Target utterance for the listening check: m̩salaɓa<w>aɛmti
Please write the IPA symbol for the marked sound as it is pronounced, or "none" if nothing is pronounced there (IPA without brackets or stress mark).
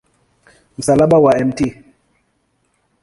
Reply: w